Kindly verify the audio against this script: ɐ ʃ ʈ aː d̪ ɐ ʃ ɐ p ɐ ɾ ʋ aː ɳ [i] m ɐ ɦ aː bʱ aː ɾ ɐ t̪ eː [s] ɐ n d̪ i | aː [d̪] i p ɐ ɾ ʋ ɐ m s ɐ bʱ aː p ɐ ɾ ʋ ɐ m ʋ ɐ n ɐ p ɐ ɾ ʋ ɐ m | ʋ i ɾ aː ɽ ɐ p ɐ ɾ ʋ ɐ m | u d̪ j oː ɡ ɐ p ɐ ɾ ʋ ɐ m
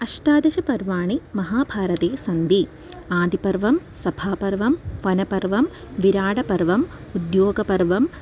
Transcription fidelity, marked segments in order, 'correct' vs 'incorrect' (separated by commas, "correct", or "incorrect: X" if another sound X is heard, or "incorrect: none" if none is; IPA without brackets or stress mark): correct, correct, correct